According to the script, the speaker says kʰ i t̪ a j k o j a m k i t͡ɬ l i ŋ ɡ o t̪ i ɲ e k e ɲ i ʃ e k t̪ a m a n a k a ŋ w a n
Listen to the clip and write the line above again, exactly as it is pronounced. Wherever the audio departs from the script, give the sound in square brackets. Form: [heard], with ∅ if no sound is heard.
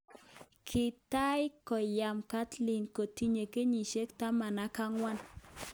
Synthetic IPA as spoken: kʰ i t̪ a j k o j a m k [a] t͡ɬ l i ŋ [k] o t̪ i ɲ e k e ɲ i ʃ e k t̪ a m a n a k a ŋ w a n